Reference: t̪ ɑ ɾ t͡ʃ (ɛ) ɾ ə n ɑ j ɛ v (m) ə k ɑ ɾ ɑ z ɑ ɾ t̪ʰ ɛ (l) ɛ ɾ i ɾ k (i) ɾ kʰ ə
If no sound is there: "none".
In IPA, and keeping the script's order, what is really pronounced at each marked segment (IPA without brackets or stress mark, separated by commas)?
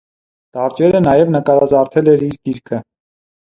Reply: ɛ, n, l, i